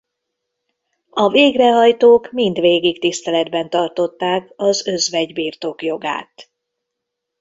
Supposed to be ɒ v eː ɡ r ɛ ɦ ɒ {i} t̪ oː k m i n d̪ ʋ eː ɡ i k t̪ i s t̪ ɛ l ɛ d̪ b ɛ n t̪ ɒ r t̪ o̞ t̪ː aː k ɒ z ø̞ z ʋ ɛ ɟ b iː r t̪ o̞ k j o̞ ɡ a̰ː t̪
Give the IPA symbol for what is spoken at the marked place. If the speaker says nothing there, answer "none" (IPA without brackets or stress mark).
j